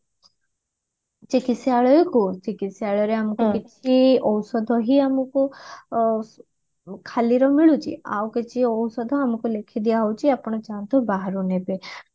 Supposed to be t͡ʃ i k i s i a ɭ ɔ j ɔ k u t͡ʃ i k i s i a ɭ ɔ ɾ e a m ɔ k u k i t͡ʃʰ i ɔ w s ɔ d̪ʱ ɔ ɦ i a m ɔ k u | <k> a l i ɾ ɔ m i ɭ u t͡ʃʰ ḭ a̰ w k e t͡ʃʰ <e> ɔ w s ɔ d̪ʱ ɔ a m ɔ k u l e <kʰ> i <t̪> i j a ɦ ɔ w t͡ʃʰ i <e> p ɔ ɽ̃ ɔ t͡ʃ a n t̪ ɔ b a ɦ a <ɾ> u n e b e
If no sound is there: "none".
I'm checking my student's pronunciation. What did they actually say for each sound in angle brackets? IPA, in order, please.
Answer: kʰ, i, kʰ, d̪, a, ɾ

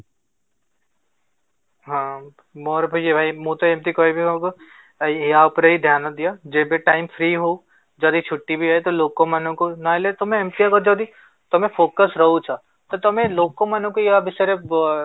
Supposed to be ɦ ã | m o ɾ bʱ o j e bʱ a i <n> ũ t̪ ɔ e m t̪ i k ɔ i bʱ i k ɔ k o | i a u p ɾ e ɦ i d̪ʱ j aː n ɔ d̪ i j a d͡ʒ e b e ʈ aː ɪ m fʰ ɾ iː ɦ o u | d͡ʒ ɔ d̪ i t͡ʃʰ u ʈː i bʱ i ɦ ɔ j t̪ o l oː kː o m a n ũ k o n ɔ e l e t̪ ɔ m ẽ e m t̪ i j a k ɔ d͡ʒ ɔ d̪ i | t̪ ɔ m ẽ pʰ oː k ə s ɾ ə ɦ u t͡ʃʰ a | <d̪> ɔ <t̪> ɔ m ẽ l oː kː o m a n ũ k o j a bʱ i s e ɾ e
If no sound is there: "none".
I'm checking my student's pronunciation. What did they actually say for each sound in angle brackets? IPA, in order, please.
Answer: m, t̪, t̪

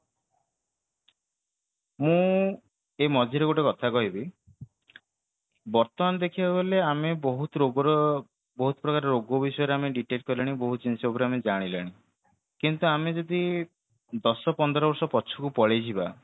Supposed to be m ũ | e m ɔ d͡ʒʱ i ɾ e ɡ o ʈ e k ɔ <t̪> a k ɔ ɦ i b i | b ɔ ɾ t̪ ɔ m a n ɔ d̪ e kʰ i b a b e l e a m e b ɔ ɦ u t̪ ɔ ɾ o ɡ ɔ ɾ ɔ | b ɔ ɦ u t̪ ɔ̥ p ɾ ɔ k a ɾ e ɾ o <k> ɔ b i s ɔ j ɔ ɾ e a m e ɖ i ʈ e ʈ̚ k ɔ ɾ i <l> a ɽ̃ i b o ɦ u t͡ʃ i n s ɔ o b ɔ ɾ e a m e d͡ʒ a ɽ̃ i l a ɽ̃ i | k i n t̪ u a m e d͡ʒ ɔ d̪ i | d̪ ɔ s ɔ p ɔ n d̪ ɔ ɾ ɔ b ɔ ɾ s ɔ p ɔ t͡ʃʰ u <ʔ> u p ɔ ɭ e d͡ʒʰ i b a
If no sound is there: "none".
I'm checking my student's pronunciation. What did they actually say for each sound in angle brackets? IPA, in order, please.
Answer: t̪ʰ, ɡ, l, k

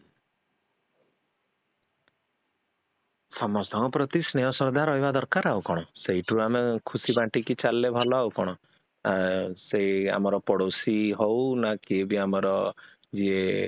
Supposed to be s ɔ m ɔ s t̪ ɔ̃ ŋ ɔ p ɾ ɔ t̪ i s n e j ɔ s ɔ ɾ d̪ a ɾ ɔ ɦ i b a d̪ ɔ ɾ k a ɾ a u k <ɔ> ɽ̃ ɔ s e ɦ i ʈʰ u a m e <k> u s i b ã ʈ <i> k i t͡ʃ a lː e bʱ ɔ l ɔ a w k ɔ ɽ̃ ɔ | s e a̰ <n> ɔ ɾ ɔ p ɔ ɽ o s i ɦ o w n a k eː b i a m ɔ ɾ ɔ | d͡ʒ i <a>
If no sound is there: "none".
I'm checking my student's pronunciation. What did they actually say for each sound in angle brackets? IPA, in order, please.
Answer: ɔ, kʰ, i, m, e

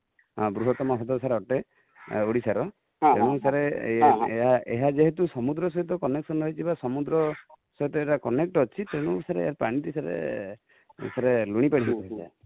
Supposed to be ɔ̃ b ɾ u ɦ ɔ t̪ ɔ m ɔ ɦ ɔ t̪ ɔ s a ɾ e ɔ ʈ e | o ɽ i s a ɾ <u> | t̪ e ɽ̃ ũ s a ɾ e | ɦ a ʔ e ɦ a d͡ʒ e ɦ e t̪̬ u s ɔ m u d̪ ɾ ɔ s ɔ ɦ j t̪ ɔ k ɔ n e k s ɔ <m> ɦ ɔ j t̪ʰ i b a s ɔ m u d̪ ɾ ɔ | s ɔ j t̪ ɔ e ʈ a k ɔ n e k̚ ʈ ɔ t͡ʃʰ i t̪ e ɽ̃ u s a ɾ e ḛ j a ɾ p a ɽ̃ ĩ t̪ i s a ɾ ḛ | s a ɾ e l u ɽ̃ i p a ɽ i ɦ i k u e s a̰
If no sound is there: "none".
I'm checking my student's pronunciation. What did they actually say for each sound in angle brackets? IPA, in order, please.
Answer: ɔ, n

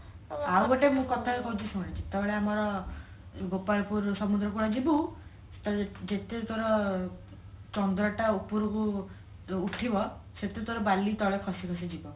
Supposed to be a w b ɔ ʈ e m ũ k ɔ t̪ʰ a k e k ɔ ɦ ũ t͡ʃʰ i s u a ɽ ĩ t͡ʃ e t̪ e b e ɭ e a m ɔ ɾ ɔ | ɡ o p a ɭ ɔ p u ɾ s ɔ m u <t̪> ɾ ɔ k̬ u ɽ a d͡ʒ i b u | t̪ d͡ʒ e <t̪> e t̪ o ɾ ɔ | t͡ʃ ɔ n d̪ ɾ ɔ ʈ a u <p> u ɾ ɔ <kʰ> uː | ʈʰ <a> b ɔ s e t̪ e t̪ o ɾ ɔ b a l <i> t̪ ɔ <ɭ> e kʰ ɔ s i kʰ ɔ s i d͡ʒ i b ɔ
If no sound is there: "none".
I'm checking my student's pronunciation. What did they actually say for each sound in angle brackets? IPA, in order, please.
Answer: d̪, t̪, p, k, i, i, ɭ

